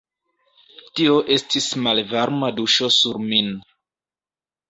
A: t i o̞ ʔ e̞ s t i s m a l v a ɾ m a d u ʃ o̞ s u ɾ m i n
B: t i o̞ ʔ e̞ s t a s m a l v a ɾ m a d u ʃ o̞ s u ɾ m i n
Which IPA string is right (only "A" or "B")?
A